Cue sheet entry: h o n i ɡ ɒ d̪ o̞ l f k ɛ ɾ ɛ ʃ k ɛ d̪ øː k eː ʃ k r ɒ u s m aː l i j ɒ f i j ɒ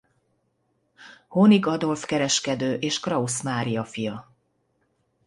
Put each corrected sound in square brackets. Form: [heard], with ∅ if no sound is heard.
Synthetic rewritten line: h o n i ɡ ɒ d̪ o̞ l f k ɛ ɾ ɛ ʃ k ɛ d̪ øː [ʔ] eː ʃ k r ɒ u s m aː [ɾ] i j ɒ f i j ɒ